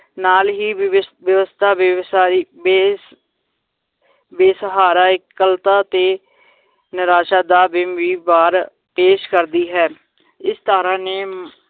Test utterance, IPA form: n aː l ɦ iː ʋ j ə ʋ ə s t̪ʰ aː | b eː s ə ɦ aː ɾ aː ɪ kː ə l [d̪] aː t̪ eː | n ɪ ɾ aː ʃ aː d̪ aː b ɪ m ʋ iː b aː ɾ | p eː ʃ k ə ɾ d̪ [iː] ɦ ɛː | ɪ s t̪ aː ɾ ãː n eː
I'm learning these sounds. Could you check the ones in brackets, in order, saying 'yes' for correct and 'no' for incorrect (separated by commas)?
no, yes